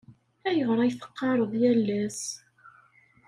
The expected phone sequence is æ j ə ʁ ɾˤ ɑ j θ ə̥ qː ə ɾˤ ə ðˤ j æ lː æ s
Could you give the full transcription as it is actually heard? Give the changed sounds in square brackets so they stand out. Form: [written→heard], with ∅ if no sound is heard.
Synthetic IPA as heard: æ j ə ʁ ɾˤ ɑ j θ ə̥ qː [ə→ɑ] ɾˤ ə ðˤ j æ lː æ s